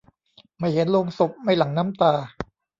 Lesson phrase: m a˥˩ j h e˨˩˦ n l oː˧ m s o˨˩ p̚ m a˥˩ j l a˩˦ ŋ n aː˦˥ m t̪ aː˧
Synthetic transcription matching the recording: m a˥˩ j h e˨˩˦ n l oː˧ ŋ s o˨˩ p̚ m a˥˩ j l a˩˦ ŋ n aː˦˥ m t̪ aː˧